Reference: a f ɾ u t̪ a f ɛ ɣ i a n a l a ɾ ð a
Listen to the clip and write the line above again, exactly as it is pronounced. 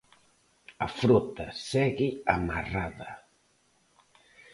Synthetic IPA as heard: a f ɾ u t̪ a s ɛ ɣ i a m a r a ð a